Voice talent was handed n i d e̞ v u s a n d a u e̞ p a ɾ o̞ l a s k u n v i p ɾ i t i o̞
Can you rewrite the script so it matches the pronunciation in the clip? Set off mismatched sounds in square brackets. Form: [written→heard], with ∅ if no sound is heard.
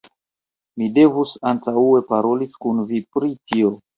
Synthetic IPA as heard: [n→m] i d e̞ v u s a n [d→t] a u e̞ p a ɾ o̞ l [a→i] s k u n v i p ɾ i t i o̞